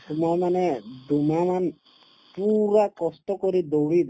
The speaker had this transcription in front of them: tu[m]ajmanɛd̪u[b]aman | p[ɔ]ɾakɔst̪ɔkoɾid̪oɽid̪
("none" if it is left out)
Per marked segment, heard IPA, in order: m, m, u

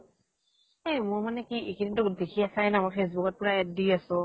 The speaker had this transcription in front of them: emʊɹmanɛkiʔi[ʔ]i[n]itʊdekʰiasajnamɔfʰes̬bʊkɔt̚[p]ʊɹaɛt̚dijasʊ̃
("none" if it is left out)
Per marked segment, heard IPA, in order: k, n, p

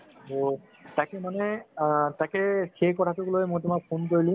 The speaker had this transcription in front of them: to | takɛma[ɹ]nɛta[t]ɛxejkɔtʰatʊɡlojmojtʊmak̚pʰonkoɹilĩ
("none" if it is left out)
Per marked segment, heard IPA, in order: none, k

